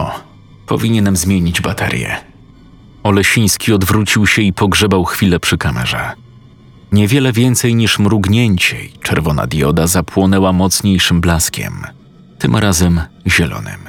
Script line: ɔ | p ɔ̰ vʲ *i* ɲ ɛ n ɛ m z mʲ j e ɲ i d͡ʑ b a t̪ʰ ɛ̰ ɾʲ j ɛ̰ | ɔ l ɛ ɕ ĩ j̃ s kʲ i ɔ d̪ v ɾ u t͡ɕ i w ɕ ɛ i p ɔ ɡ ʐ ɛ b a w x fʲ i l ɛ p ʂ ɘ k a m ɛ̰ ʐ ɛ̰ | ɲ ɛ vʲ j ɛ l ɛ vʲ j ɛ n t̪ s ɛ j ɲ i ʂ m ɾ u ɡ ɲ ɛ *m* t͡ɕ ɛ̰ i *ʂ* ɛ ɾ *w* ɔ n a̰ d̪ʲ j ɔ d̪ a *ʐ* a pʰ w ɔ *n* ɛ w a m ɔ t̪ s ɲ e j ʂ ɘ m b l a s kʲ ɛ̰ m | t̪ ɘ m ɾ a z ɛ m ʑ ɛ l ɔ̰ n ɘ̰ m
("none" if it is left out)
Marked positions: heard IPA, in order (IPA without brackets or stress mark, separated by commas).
i, ɲ, t͡ʂ, v, z, n